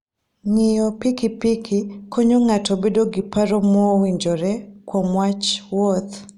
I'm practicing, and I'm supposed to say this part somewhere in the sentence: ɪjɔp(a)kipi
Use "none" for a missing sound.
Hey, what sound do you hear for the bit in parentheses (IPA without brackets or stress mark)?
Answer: i